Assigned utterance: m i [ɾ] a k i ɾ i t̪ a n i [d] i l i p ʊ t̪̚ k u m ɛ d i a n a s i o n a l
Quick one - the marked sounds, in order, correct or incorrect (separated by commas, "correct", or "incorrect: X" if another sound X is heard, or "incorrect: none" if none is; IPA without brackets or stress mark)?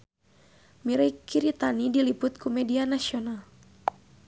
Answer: correct, correct